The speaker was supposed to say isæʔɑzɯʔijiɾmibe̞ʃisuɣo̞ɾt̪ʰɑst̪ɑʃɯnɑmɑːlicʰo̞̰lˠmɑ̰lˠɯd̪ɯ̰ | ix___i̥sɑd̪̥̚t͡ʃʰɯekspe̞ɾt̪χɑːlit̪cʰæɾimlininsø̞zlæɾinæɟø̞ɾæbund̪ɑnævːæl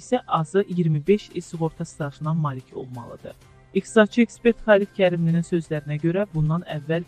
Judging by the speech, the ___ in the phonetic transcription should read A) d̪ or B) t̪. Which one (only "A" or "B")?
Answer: B